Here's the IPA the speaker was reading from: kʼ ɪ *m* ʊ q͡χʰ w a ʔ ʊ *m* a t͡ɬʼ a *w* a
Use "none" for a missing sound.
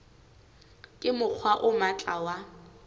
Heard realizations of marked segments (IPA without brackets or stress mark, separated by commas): m, m, w